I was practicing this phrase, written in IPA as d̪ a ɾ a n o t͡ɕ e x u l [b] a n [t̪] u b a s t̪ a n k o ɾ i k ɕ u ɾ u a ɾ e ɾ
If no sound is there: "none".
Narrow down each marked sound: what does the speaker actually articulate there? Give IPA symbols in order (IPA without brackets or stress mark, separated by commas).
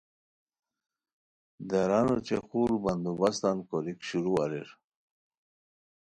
b, d̪